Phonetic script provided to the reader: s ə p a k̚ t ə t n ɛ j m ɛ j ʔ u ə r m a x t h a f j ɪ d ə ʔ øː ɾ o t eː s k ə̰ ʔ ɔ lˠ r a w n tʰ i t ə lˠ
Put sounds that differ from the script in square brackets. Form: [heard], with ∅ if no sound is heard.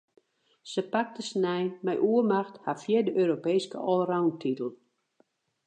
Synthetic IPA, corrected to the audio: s ə p a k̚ t ə [s] n ɛ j m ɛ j ʔ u ə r m a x t h a f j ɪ d ə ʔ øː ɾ o [p] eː s k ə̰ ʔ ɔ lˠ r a w n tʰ i t ə lˠ